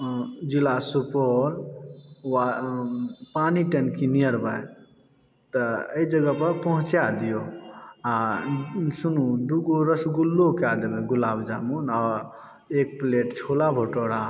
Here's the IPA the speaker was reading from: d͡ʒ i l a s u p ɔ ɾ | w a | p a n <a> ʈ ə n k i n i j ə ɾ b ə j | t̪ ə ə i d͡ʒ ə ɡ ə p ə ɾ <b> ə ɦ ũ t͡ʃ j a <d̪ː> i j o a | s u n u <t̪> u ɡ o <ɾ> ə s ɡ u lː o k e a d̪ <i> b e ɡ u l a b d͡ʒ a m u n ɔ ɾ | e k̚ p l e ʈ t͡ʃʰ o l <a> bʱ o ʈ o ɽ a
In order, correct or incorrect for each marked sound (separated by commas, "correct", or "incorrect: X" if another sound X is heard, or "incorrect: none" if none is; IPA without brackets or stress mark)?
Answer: incorrect: i, incorrect: p, incorrect: d̪, incorrect: d̪, correct, incorrect: e, correct